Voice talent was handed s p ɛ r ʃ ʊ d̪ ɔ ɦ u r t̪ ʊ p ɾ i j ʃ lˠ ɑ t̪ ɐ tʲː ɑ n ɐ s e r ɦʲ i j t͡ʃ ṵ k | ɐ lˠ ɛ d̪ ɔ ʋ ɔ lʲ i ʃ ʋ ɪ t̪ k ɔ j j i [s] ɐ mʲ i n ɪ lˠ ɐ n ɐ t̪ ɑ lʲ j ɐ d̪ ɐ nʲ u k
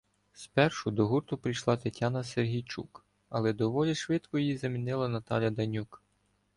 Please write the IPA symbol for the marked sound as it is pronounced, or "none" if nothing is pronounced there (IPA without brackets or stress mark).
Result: z